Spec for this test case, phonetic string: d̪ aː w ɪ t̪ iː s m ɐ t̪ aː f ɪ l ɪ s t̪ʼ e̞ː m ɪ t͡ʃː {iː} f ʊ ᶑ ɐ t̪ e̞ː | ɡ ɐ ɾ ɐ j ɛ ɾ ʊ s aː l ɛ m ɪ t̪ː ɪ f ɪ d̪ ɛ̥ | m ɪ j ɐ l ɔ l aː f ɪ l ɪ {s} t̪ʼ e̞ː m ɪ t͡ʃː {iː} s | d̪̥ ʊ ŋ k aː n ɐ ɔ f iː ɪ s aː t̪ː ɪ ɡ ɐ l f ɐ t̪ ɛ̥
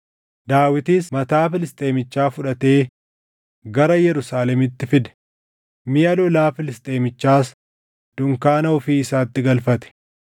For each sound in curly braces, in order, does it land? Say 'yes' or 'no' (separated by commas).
no, yes, no